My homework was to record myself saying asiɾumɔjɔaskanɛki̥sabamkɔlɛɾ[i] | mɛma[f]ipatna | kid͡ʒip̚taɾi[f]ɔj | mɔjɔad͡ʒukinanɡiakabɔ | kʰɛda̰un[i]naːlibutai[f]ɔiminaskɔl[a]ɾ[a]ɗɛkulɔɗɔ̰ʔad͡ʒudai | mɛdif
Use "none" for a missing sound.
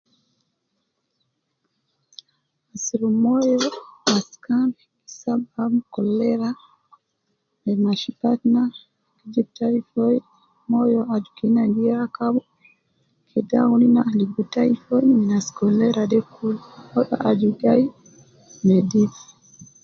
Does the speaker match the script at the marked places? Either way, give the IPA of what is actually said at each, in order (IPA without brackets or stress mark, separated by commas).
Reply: a, ʃ, f, i, f, ɛ, a